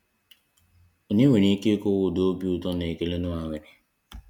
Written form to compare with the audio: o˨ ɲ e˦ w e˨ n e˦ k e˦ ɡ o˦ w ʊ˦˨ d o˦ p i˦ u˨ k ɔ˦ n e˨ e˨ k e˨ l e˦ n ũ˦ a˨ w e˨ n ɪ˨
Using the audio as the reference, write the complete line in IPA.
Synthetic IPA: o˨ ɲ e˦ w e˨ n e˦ k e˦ k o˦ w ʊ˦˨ d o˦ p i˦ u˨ t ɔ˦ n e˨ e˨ k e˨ l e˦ n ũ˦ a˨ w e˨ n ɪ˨